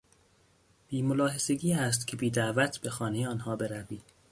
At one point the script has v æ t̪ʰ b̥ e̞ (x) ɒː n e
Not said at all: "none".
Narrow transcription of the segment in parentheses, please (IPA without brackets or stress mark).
x